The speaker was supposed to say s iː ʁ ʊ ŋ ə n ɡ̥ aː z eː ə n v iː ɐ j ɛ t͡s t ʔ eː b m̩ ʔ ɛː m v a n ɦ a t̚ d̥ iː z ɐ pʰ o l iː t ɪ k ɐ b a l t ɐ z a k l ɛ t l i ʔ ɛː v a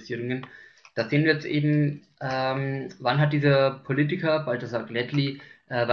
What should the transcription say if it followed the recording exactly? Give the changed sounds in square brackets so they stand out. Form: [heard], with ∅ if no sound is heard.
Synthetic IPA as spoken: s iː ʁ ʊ ŋ ə n [d̥] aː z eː ə n v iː ɐ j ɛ t͡s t ʔ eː b m̩ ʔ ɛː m v a n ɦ a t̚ d̥ iː z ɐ pʰ o l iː t ɪ k ɐ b a l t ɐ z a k l ɛ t l i ʔ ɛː v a

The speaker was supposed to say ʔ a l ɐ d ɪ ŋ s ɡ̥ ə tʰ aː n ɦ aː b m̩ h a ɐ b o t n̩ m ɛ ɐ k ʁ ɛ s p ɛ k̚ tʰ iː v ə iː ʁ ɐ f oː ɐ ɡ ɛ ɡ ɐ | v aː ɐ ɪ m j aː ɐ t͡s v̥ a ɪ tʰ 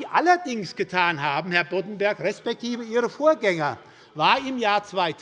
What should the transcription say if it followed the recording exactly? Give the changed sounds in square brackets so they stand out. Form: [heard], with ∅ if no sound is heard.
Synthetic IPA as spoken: ʔ a l ɐ d ɪ ŋ s ɡ̥ ə tʰ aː n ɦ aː b m̩ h [ɛ] ɐ b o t n̩ [b] ɛ ɐ k ʁ ɛ s p ɛ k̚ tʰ iː v ə iː ʁ [ə] f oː ɐ ɡ ɛ [ŋ] ɐ | v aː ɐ ɪ m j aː ɐ t͡s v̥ a ɪ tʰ

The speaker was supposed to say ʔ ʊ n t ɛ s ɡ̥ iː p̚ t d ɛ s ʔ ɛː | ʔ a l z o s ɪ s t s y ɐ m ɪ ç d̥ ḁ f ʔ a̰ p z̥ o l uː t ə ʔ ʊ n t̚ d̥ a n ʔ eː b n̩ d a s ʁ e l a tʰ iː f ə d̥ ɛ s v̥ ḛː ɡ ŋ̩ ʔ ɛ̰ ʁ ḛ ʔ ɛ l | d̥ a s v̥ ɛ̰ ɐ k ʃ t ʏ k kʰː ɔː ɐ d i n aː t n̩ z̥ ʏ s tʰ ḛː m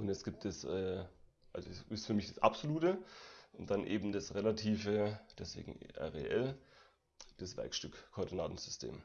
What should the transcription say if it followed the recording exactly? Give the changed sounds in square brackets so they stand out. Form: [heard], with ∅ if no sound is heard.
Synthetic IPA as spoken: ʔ ʊ n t ɛ s ɡ̥ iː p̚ t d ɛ s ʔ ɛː | ʔ a l z o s ɪ s t [f] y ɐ m ɪ ç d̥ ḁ [s] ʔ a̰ p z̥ o l uː t ə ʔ ʊ n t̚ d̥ a n ʔ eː b [m̩] d a s ʁ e l a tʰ iː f ə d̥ ɛ s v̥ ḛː ɡ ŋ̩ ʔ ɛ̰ ʁ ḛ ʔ ɛ l | d̥ a s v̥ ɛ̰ ɐ k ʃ t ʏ k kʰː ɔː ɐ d i n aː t n̩ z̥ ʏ s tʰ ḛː m

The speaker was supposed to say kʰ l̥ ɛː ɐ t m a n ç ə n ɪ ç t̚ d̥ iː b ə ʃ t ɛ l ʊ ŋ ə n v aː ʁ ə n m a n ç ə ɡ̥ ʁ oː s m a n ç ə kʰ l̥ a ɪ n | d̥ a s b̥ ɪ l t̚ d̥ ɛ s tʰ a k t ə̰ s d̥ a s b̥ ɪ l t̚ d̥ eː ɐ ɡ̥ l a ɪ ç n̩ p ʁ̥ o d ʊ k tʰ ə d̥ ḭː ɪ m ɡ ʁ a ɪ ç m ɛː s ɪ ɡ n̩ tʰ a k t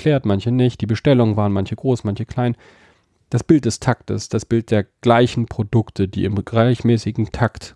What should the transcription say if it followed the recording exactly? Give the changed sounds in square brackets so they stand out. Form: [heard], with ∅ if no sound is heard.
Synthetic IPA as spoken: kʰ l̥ ɛː ɐ t m a n ç ə n ɪ ç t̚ d̥ iː b ə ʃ t ɛ l ʊ ŋ ə n v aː ʁ ə n m a n ç ə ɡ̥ ʁ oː s m a n ç ə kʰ l̥ a ɪ n | d̥ a s b̥ ɪ l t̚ d̥ ɛ s tʰ a k t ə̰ s d̥ a s b̥ ɪ l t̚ d̥ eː ɐ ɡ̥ l a ɪ ç n̩ p ʁ̥ o d ʊ k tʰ ə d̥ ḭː ɪ m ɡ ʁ a ɪ ç m ɛː s ɪ ɡ [ŋ̩] tʰ a k t

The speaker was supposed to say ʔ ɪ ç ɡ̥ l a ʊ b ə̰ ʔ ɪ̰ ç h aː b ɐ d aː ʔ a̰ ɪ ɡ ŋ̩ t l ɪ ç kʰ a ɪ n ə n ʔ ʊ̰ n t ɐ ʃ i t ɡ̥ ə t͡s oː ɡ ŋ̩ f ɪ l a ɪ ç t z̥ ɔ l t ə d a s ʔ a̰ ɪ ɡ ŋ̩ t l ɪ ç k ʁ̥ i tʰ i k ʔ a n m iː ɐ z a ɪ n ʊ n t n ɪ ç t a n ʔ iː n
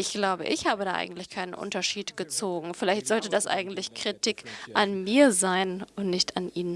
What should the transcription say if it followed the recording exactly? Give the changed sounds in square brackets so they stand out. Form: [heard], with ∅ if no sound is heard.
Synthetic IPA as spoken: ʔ ɪ ç ɡ̥ l a ʊ b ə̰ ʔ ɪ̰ ç h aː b [ə] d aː ʔ a̰ ɪ ɡ ŋ̩ t l ɪ ç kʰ a ɪ n ə n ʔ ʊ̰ n t ɐ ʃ [iː] t ɡ̥ ə t͡s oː ɡ ŋ̩ f ɪ l a ɪ ç t z̥ ɔ l t ə d a s ʔ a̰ ɪ ɡ ŋ̩ t l ɪ ç k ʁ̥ i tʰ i k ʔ a n m iː ɐ z a ɪ n ʊ n t n ɪ ç t a n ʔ iː n

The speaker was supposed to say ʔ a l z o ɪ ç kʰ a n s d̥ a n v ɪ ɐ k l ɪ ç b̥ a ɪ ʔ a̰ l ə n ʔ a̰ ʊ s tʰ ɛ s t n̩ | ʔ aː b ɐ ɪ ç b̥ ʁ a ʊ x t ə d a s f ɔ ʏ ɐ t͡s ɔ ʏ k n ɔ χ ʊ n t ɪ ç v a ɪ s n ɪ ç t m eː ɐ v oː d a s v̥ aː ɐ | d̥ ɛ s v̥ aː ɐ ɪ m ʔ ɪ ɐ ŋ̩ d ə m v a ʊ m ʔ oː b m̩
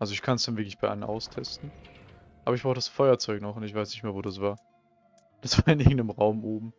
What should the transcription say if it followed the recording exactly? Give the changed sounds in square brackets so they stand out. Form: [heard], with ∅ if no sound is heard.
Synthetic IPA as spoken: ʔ a l z o ɪ ç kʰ a n s d̥ a n v ɪ ɐ k l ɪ ç b̥ a ɪ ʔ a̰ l ə n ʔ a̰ ʊ s tʰ ɛ s t n̩ | ʔ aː b ɐ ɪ ç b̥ ʁ a ʊ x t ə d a s f ɔ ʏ ɐ t͡s ɔ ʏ k n ɔ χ ʊ n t ɪ ç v a ɪ s n ɪ ç t m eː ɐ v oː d a s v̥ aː ɐ | d̥ [a] s v̥ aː ɐ ɪ [n] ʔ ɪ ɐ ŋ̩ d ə m [ʁ] a ʊ m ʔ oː b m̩

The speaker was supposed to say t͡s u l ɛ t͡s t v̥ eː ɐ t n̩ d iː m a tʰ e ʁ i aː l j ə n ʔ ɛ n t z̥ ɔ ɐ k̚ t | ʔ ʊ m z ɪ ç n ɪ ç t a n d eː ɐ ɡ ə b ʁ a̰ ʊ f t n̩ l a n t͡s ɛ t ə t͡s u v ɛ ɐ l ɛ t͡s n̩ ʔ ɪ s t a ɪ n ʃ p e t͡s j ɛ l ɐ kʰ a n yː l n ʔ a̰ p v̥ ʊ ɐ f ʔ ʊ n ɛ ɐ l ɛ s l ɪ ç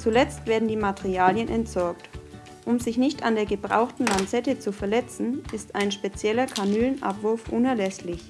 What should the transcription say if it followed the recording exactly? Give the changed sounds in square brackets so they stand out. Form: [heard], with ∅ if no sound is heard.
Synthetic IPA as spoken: t͡s u l ɛ t͡s t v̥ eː ɐ [d] n̩ d iː m a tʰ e ʁ i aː l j ə n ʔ ɛ n t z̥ ɔ ɐ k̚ t | ʔ ʊ m z ɪ ç n ɪ ç t a n d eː ɐ ɡ ə b ʁ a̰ ʊ [x] t n̩ l a n t͡s ɛ t ə t͡s u [f] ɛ ɐ l ɛ t͡s n̩ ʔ ɪ s t a ɪ n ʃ p e t͡s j ɛ l ɐ kʰ a n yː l n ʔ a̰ p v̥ ʊ ɐ f ʔ ʊ n ɛ ɐ l ɛ s l ɪ ç

